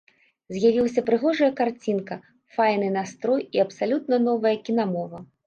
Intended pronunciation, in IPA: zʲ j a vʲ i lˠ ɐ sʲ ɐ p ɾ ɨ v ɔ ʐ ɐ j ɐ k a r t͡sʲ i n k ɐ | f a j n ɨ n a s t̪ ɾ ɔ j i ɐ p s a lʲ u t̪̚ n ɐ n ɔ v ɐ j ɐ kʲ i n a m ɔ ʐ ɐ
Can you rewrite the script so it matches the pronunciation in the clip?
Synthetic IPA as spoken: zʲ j a vʲ i lˠ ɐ sʲ ɐ p ɾ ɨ ɣ ɔ ʐ ɐ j ɐ k a r t͡sʲ i n k ɐ | f a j n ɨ n a s t̪ ɾ ɔ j i ɐ p s a lʲ u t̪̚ n ɐ n ɔ v ɐ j ɐ kʲ i n a m ɔ v ɐ